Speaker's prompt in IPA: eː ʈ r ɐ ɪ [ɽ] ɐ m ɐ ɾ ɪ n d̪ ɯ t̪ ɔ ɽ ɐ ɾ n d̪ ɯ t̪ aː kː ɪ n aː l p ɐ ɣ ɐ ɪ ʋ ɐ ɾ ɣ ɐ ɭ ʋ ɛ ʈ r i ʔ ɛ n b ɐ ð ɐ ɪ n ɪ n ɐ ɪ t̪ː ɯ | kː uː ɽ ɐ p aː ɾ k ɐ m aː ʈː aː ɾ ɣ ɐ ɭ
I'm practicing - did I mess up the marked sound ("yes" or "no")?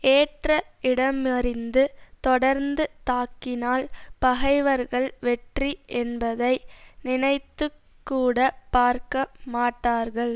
no